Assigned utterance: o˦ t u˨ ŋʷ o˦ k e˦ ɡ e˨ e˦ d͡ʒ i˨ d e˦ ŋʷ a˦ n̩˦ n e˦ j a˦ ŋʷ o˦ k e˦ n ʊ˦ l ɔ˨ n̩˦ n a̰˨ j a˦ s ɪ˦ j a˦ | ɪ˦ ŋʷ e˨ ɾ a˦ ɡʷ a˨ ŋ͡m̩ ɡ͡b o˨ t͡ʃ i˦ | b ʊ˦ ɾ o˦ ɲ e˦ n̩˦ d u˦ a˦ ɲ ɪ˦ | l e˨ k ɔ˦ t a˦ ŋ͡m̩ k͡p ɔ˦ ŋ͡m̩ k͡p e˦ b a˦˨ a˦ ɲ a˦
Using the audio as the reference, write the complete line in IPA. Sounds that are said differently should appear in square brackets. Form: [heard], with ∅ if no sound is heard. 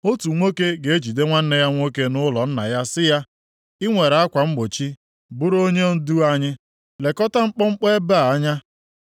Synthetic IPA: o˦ t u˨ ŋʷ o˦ k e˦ ɡ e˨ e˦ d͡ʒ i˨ d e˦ ŋʷ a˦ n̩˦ n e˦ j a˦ ŋʷ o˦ k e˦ n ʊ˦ l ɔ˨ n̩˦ n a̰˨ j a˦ s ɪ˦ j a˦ | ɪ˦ ŋʷ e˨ ɾ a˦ [kʷ] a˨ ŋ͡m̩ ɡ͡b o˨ t͡ʃ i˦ | b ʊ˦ ɾ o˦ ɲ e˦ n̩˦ d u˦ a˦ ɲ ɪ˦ | l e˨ k ɔ˦ t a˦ ŋ͡m̩ k͡p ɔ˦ ŋ͡m̩ k͡p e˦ b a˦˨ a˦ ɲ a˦

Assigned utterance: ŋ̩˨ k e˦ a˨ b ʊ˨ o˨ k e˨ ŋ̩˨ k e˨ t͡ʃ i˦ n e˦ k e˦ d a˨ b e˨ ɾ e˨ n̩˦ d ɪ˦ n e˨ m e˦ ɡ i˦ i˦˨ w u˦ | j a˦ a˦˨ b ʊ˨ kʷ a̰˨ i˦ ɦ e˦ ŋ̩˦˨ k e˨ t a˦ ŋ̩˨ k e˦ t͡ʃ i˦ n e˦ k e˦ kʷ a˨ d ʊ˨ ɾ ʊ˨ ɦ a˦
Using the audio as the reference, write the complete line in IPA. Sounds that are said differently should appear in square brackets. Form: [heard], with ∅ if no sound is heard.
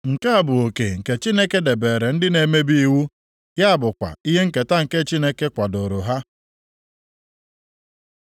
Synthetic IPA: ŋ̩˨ k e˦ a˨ b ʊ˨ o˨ k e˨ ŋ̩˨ k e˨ t͡ʃ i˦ n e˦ k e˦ d [e˨] b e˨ ɾ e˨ n̩˦ d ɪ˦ n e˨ m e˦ [b] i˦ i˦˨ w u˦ | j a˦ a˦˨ b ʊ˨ kʷ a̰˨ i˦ ɦ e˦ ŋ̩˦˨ k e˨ t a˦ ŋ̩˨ k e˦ t͡ʃ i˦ n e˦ k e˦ kʷ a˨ d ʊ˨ ɾ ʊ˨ ɦ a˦

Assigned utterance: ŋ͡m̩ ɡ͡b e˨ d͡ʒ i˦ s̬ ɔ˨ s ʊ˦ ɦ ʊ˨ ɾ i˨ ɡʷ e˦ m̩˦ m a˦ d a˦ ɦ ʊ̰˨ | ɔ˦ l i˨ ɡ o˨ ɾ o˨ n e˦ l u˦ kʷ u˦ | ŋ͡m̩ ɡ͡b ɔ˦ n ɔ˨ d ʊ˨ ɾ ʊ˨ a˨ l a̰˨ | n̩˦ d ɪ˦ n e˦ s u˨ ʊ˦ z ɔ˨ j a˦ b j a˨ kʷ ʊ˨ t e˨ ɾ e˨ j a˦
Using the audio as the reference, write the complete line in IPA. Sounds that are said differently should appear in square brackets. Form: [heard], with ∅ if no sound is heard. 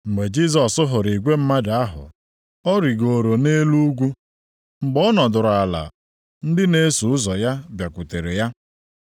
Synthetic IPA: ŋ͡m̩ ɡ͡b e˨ d͡ʒ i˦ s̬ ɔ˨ s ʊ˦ ɦ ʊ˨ ɾ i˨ ɡʷ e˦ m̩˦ m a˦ d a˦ ɦ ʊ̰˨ | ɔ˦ [ɾ] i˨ ɡ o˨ ɾ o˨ n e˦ l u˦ [ɡʷ] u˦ | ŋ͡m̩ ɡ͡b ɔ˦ n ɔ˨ d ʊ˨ ɾ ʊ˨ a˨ l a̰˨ | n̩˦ d ɪ˦ n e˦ s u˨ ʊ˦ z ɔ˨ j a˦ b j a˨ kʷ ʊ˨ t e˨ ɾ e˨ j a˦

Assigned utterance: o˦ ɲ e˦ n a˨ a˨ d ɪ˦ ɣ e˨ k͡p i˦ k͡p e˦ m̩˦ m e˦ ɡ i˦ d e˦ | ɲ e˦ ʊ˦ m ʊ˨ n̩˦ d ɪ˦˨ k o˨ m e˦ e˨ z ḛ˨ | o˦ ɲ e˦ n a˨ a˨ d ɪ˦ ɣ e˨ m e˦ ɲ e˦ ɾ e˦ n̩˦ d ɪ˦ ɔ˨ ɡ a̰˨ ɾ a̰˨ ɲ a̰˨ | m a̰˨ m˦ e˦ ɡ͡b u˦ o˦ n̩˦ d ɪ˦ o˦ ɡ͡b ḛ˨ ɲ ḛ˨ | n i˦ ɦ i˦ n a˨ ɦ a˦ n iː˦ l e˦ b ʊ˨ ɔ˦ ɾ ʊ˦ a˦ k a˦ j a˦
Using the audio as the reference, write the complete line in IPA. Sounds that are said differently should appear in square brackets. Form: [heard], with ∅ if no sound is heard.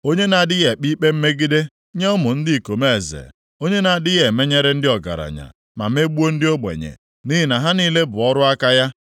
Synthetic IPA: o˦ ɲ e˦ n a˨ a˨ d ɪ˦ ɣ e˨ k͡p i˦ k͡p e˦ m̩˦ m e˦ ɡ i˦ d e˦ | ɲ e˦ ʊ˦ m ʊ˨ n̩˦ d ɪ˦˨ k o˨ m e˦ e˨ z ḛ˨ | o˦ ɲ e˦ n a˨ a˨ d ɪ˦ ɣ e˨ m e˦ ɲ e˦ ɾ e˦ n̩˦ d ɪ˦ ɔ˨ ɡ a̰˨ ɾ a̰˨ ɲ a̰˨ | m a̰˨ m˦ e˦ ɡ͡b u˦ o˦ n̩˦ d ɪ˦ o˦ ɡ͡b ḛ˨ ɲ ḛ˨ | n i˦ ɦ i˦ n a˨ ɦ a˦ n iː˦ l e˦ b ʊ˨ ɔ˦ ɾ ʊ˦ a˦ k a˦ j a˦

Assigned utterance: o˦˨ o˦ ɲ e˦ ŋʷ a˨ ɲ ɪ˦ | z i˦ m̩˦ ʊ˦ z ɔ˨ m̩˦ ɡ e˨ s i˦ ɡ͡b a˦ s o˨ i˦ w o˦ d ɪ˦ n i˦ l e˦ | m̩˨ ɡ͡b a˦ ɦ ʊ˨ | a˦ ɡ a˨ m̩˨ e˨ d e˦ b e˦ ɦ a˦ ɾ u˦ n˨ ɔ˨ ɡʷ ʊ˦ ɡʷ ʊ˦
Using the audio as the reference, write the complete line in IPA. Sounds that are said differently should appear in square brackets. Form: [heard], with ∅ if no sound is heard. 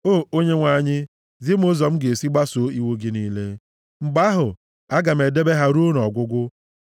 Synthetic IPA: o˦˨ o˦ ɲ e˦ ŋʷ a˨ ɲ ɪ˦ | z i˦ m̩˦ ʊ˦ z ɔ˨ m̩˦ ɡ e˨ s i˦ ɡ͡b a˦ s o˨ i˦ w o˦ [ɡ] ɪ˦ n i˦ l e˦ | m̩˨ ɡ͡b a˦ ɦ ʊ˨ | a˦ ɡ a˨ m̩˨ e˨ d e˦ b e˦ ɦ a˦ ɾ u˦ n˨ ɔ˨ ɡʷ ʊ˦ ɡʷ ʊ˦

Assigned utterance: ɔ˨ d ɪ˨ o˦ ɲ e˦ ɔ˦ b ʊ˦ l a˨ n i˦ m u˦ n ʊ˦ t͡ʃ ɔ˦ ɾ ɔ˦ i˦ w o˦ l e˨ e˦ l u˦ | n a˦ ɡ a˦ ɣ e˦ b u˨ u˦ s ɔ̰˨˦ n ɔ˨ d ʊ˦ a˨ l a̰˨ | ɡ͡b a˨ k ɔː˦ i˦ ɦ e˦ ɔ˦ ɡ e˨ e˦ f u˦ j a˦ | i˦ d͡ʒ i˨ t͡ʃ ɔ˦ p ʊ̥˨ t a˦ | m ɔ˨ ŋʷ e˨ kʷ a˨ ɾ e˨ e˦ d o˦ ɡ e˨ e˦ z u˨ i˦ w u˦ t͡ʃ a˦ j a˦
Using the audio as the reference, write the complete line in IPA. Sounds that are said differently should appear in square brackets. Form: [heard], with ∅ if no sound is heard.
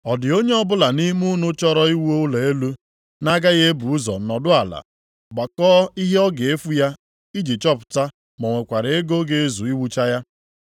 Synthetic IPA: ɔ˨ d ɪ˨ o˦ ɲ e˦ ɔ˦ b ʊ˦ l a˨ n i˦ m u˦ n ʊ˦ t͡ʃ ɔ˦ ɾ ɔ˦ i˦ w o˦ l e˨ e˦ l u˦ | n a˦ ɡ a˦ ɣ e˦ b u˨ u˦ [z] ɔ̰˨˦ n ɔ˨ d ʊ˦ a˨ l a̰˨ | ɡ͡b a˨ k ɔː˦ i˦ ɦ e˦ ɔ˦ ɡ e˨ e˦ f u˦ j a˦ | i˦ d͡ʒ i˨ t͡ʃ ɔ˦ p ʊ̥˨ t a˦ | m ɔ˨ ŋʷ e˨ kʷ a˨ ɾ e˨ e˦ [ɡ] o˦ ɡ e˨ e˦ z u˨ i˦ w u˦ t͡ʃ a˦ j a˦

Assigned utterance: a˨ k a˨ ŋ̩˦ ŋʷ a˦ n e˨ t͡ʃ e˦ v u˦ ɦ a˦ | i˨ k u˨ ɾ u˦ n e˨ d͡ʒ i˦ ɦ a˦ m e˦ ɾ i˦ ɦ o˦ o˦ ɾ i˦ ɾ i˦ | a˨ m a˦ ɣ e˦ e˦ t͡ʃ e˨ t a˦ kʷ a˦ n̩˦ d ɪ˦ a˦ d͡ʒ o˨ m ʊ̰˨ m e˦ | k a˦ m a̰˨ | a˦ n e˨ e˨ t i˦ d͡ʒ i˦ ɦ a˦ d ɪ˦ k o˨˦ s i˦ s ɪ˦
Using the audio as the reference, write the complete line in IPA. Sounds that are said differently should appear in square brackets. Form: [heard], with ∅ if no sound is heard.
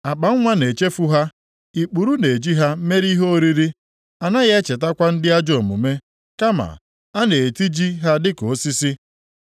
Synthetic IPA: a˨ [k͡p] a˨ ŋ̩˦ ŋʷ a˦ n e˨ t͡ʃ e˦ [f] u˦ ɦ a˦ | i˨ [k͡p] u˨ ɾ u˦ n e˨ d͡ʒ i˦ ɦ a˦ m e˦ ɾ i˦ ɦ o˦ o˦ ɾ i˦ ɾ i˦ | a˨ [n] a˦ ɣ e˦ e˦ t͡ʃ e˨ t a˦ kʷ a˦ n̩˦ d ɪ˦ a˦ d͡ʒ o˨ m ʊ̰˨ m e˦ | k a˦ m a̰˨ | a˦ n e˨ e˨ t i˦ d͡ʒ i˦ ɦ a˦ d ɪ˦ k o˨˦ s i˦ s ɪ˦

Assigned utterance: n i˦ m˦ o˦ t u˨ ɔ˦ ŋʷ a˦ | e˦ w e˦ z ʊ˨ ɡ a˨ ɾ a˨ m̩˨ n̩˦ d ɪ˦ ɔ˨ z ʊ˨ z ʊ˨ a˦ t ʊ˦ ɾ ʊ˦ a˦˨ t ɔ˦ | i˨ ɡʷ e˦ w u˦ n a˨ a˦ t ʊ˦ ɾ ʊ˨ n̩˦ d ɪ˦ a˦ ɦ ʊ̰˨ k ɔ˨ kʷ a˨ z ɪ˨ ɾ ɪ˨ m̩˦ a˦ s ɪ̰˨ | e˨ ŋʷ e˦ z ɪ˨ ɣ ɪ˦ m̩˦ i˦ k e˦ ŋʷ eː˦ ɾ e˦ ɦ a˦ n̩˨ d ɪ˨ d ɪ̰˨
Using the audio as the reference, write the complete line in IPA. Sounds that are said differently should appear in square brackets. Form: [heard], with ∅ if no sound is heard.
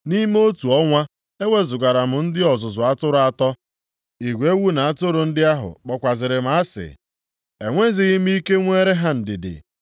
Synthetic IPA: n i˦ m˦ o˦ t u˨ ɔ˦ ŋʷ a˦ | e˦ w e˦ z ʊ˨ ɡ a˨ ɾ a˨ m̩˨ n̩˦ d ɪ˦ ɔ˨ z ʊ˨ z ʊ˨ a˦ t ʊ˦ ɾ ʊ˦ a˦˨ t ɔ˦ | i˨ ɡʷ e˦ w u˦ n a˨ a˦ t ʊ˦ ɾ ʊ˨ n̩˦ d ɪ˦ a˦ ɦ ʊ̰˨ [k͡p] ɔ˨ kʷ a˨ z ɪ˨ ɾ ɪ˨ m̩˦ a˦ s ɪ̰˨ | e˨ ŋʷ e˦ z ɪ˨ ɣ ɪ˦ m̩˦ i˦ k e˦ ŋʷ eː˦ ɾ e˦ ɦ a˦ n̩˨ d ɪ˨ d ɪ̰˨

